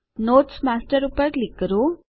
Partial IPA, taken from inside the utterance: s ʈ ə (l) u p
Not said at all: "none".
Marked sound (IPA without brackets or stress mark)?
ɾ